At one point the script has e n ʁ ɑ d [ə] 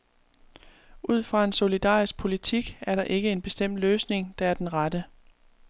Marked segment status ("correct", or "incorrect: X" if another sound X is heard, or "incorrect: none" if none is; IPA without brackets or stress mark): correct